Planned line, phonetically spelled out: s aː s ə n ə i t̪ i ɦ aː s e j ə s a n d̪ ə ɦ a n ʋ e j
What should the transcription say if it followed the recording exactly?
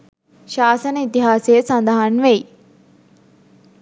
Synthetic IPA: ʃ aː s ə n ə i t̪ i ɦ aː s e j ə s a n d̪ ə ɦ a n ʋ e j